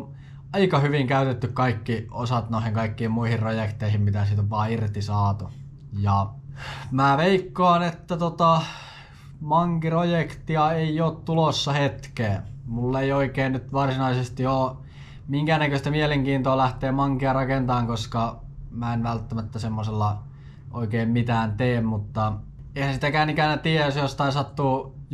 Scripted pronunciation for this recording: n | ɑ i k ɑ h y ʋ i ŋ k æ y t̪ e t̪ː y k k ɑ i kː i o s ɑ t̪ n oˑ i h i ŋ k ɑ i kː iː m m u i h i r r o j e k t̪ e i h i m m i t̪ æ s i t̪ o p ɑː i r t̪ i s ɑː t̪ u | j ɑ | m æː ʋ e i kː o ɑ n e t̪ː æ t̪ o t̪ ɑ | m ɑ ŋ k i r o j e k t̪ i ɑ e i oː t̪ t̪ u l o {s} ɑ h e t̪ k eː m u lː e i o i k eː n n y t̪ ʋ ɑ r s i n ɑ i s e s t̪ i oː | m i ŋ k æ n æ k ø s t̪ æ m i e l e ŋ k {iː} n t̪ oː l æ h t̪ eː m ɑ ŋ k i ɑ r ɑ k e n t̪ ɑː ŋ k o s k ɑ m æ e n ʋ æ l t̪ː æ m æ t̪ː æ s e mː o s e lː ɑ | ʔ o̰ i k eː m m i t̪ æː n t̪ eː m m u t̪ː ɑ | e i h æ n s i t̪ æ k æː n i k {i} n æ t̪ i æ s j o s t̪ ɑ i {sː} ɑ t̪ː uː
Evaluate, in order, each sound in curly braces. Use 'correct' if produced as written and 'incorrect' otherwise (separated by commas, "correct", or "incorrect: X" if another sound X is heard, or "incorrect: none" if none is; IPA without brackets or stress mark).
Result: incorrect: sː, correct, incorrect: æ, incorrect: s